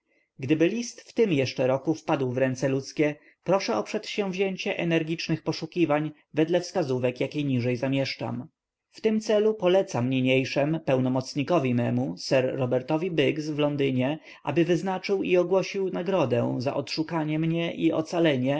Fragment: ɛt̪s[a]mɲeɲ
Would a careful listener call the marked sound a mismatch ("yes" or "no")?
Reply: no